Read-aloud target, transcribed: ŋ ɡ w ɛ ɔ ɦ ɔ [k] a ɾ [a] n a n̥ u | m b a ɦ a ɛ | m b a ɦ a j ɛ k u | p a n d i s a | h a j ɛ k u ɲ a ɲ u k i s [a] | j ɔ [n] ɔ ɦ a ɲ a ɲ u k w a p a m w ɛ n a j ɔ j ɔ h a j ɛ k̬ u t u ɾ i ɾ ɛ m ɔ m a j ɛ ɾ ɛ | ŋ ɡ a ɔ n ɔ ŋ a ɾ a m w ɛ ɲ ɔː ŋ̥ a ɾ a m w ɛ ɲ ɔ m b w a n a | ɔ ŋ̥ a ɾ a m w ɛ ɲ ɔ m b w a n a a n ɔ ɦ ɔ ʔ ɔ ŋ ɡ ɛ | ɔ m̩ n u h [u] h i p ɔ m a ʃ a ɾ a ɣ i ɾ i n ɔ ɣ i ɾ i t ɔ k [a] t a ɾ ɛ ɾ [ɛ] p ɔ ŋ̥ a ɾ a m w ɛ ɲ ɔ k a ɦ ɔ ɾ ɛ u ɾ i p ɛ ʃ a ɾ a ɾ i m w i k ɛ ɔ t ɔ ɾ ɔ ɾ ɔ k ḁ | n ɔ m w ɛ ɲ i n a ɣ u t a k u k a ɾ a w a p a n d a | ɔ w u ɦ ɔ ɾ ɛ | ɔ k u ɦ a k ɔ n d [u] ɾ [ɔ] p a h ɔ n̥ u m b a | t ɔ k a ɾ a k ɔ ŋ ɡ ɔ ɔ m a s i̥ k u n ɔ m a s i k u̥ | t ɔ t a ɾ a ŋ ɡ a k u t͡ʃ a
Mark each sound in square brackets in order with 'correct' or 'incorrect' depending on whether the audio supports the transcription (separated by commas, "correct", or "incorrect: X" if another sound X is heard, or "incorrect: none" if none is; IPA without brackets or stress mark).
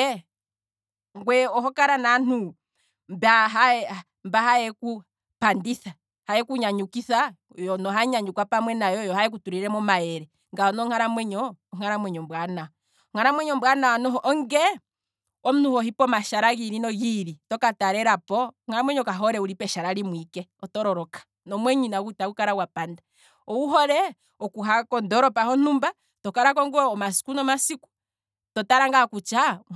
correct, correct, correct, correct, incorrect: ɔ, correct, incorrect: a, incorrect: ɔ, correct